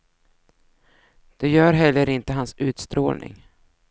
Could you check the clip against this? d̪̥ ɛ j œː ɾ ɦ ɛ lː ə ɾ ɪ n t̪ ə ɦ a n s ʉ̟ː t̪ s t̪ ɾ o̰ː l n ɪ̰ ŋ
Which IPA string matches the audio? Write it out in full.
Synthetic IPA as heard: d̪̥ ɛ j œː ɾ ɦ ɛ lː ə ɾ ɪ n t̪ ə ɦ a n s ʉ̟ː t̪ s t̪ ɾ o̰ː l n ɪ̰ ŋ